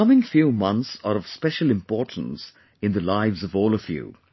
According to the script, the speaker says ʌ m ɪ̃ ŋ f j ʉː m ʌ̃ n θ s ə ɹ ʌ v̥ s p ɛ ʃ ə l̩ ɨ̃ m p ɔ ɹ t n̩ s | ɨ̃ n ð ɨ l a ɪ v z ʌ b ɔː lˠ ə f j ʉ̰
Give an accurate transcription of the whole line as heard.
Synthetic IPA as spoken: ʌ m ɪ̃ ŋ f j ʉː m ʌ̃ n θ s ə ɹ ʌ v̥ s p ɛ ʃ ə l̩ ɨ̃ m p ɔ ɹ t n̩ s | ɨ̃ n ð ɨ l a ɪ v z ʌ v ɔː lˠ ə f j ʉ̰